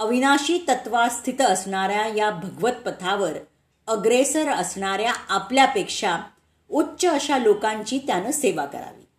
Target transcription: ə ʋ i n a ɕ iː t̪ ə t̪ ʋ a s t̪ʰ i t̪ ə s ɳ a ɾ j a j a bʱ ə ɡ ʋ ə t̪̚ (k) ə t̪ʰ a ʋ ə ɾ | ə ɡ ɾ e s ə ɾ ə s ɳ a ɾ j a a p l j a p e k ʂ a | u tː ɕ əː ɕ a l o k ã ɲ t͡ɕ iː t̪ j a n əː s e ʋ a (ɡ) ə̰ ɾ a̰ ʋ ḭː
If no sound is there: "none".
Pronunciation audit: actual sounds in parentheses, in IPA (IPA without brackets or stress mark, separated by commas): p, k